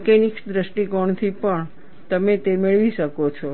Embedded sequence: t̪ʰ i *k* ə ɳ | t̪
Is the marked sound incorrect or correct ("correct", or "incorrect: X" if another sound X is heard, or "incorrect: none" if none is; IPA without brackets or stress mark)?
incorrect: p